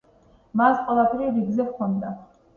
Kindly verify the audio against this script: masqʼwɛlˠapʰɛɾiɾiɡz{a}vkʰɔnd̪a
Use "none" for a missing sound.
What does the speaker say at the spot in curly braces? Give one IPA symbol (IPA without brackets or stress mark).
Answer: ɛ